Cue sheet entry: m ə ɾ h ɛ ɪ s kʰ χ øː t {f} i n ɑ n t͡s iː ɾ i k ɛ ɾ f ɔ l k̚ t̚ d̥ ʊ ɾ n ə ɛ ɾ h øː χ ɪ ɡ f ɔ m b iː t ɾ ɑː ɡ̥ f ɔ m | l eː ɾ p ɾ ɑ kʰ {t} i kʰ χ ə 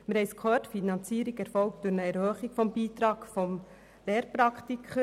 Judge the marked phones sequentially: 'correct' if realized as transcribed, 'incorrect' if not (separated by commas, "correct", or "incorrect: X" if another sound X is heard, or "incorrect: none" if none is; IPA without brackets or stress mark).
correct, correct